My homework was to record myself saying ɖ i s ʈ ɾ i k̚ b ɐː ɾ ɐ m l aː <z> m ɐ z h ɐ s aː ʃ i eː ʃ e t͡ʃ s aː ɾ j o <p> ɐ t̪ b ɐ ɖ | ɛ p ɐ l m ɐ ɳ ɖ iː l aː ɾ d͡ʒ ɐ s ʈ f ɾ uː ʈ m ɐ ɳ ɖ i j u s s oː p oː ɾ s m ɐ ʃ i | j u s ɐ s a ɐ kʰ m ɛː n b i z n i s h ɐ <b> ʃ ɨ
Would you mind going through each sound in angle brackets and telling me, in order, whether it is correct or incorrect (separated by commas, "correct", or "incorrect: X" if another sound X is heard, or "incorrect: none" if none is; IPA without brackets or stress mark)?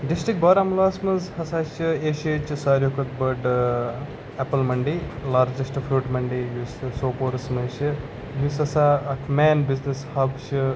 incorrect: s, incorrect: k, correct